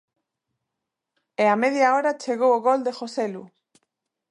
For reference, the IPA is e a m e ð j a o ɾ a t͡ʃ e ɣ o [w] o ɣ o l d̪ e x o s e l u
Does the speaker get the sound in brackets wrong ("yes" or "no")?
no